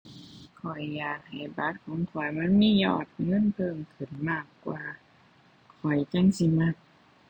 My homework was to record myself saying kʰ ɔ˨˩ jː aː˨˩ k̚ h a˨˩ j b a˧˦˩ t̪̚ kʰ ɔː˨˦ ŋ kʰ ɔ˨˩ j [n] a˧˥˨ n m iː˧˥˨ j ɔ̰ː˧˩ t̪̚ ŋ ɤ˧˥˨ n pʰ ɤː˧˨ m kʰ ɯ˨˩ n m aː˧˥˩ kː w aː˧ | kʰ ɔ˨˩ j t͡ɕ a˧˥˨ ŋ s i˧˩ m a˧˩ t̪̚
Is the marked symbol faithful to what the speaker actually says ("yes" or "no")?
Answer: no